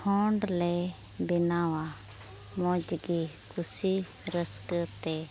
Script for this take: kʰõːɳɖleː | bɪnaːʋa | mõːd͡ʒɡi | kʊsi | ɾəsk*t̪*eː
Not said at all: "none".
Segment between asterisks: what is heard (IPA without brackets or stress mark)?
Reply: t̪